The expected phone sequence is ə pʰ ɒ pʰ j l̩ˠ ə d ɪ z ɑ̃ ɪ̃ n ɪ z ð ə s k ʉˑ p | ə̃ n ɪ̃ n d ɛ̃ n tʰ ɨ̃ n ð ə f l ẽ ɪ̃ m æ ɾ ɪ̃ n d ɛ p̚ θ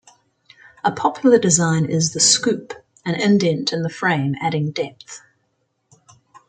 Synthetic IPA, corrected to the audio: ə pʰ ɒ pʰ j l̩ˠ ə d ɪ z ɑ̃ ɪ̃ n ɪ z ð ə s k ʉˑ p | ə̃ n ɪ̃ n d ɛ̃ n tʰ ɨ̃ n ð ə f ɹ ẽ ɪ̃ m æ ɾ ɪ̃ ŋ d ɛ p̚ θ